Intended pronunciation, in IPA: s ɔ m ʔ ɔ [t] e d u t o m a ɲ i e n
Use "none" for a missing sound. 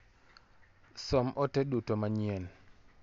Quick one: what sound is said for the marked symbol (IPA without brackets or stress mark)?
t